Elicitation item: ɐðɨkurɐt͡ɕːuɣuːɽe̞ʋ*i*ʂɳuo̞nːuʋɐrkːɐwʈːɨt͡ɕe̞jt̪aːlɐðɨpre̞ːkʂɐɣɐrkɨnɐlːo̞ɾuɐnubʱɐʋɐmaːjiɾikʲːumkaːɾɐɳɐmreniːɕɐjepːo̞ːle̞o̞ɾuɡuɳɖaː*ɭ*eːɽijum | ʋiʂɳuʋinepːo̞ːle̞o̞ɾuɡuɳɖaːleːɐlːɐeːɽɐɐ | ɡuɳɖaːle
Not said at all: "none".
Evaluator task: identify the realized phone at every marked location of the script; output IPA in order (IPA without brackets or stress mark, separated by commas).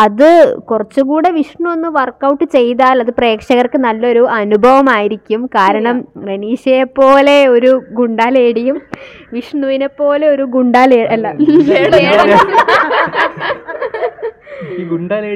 i, l